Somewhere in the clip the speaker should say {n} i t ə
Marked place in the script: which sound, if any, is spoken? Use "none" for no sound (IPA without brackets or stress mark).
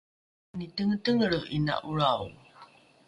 n